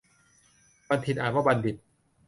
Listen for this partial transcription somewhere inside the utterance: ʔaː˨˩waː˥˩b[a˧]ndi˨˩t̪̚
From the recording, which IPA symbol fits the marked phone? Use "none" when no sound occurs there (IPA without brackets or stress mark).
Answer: a˧